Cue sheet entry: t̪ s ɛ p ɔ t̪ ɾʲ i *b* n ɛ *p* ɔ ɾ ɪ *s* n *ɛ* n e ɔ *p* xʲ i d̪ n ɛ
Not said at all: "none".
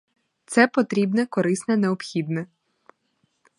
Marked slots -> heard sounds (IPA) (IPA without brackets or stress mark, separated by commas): b, k, s, ɛ, p